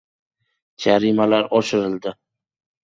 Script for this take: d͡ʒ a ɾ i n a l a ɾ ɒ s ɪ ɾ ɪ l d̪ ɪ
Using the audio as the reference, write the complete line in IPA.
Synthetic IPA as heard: d͡ʒ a ɾ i m a l a ɾ ɒ ʃ ɪ ɾ ɪ l d̪ ɪ